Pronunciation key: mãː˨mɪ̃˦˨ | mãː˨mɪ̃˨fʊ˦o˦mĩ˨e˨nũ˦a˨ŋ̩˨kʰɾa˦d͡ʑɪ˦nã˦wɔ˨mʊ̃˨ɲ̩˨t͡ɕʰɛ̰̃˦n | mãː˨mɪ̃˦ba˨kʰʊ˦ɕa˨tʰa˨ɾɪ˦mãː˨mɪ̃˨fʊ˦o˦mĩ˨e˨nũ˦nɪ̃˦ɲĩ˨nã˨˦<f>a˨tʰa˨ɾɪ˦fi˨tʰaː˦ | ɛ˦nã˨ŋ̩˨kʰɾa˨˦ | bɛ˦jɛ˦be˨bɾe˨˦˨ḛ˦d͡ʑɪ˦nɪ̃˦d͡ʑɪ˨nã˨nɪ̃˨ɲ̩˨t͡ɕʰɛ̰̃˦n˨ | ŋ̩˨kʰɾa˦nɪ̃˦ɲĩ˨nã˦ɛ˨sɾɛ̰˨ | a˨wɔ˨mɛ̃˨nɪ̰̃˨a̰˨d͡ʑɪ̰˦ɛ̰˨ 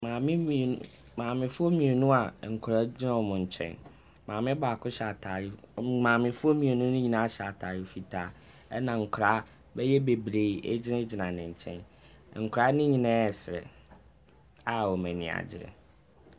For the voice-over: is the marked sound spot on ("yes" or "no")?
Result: no